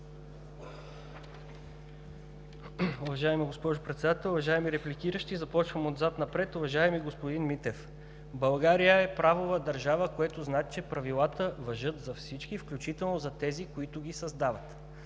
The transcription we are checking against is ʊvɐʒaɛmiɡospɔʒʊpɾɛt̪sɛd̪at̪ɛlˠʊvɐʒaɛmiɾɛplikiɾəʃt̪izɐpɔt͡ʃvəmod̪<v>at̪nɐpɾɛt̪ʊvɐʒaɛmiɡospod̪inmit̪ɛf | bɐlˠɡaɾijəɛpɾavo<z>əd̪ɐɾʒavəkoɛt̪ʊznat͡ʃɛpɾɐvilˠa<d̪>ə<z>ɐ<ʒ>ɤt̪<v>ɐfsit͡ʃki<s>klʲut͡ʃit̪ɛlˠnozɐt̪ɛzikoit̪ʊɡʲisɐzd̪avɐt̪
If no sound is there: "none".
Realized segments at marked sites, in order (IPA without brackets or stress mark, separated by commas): z, v, t̪, v, ʒ, z, f